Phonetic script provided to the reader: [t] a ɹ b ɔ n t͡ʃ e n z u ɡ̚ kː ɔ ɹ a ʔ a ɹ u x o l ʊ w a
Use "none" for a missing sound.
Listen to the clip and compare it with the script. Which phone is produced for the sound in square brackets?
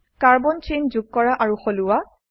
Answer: k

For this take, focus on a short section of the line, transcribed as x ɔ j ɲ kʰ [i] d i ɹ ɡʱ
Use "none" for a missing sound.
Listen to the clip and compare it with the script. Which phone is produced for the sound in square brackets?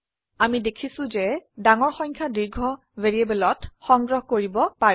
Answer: a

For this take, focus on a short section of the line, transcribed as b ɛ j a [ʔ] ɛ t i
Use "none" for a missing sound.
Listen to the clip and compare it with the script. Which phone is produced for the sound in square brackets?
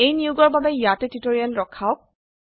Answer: t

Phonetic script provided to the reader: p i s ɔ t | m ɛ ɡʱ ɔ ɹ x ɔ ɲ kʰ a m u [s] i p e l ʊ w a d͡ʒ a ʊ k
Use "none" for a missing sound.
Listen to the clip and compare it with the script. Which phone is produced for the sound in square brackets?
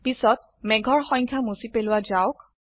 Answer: s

